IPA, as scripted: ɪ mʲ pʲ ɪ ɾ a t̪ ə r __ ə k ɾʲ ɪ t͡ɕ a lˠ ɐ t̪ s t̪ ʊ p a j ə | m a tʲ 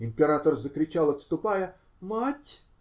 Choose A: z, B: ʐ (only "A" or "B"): A